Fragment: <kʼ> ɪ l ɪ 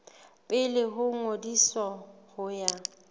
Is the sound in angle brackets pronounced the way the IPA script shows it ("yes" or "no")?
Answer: no